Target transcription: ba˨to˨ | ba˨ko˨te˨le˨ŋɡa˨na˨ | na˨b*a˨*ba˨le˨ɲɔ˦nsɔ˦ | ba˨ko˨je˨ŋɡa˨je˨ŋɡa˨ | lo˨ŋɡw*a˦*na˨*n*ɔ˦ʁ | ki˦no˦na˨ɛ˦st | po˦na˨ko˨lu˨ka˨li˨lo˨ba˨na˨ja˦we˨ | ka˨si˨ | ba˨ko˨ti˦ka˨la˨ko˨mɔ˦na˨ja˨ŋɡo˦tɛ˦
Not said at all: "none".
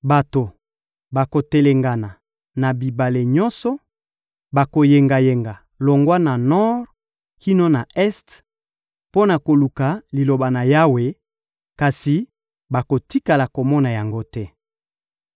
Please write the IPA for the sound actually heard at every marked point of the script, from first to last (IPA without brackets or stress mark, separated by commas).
i˨, a˦, n